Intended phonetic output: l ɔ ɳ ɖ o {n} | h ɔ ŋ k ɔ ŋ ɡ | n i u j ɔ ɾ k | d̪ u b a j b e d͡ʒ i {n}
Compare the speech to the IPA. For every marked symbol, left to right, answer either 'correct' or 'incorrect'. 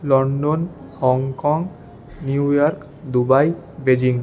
correct, incorrect: ŋ

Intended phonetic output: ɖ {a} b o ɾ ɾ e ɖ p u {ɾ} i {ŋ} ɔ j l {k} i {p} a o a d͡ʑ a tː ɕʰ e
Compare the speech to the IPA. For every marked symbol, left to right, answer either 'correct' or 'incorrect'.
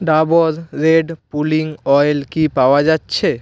correct, incorrect: l, correct, correct, correct

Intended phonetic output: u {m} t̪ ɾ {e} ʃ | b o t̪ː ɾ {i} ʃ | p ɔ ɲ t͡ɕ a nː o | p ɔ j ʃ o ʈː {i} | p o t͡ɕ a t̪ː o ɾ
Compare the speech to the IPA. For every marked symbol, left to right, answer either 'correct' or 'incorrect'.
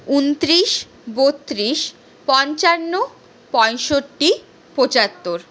incorrect: n, incorrect: i, correct, correct

